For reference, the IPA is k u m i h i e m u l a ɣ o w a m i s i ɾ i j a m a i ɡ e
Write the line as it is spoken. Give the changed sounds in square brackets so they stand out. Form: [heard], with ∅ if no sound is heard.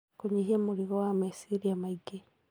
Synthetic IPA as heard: k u [ɲ] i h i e m u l [i] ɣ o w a m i s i ɾ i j a m a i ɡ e